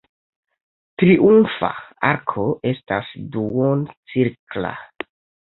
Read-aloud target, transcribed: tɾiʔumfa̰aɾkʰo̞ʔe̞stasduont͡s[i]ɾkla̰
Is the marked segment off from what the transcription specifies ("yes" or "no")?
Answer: no